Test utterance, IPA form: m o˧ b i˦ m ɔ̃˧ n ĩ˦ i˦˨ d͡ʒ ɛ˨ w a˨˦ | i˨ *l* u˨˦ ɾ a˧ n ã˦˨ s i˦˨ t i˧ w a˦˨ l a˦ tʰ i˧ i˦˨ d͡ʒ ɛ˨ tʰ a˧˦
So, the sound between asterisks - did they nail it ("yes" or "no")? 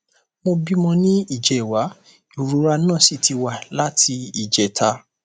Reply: no